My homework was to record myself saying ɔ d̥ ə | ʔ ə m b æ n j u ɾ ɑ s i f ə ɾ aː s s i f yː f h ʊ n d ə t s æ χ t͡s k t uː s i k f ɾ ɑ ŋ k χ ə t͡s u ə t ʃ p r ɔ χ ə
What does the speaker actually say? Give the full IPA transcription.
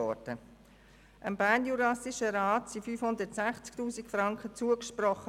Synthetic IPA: ɔ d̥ ə | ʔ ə m b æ n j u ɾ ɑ s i ʃ ə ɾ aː t s i f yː f h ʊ n d ə t s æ χ t͡s k t uː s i k f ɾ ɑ ŋ k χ ə t͡s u ə k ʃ p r ɔ χ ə

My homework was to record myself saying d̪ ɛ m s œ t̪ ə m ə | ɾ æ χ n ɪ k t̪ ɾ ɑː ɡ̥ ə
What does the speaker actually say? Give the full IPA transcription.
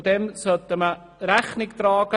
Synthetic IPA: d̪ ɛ m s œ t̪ ə m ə | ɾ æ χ n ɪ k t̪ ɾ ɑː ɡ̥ ə

